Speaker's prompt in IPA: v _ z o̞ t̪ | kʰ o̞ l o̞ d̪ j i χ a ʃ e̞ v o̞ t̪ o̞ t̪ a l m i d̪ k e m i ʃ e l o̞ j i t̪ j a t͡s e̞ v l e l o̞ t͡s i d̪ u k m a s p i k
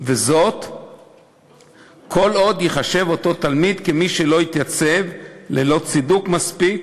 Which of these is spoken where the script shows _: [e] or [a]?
e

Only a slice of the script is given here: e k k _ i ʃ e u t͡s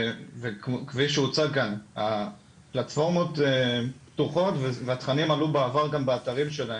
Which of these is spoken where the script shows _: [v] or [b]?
v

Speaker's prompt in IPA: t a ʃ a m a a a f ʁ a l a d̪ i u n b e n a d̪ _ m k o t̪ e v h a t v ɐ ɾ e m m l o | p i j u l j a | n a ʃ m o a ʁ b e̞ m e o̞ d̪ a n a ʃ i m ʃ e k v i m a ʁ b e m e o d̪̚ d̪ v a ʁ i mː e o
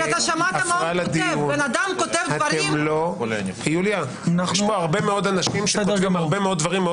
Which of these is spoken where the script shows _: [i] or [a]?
a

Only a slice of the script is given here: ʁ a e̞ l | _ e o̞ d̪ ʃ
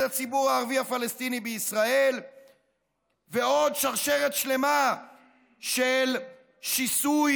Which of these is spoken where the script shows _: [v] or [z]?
v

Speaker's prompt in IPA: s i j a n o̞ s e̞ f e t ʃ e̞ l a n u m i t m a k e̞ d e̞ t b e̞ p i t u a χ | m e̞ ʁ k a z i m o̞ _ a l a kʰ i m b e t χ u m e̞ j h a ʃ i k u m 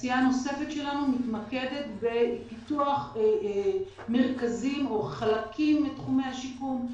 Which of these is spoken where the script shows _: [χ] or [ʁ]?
χ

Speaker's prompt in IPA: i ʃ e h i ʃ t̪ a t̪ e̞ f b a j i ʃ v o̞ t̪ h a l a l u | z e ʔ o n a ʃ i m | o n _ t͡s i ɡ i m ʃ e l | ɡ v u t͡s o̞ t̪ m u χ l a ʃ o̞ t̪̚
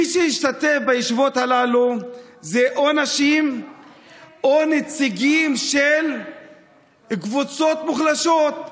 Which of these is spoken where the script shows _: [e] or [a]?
e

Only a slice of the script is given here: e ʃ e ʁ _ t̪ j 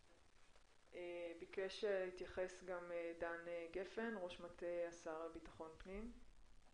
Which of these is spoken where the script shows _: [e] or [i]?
i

